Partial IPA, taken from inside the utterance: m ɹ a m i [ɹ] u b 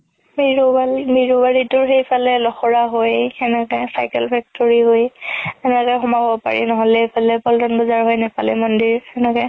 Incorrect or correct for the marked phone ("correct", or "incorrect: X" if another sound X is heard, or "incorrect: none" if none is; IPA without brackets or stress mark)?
correct